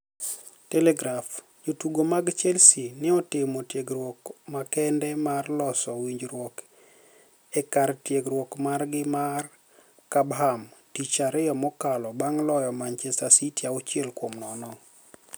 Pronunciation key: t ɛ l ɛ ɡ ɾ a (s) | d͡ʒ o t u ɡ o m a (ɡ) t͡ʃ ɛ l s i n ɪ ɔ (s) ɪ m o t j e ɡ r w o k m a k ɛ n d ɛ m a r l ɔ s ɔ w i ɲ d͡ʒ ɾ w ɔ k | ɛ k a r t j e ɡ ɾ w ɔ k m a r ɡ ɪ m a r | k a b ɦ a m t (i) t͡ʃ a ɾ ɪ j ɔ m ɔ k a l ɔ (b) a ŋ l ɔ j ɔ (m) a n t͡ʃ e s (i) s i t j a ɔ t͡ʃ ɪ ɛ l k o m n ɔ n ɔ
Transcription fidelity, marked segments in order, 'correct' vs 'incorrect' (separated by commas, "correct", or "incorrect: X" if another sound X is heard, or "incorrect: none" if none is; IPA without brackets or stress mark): incorrect: f, correct, incorrect: t, correct, correct, correct, incorrect: a